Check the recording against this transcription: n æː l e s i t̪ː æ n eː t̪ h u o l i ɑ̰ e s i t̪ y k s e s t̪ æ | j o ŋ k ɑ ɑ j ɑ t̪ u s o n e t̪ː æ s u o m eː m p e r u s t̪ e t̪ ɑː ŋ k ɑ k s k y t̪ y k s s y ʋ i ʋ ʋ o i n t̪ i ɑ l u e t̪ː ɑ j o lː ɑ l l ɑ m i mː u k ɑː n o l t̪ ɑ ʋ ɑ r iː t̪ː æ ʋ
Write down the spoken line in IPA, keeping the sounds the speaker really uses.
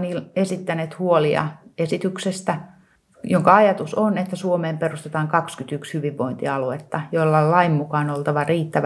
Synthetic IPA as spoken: n iː l e s i t̪ː æ n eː t̪ h u o l i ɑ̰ e s i t̪ y k s e s t̪ æ | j o ŋ k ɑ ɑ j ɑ t̪ u s o n e t̪ː æ s u o m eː m p e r u s t̪ e t̪ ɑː ŋ k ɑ k s k y t̪ y k s h y ʋ i ʋ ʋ o i n t̪ i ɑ l u e t̪ː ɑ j o lː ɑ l l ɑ i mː u k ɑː n o l t̪ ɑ ʋ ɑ r iː t̪ː æ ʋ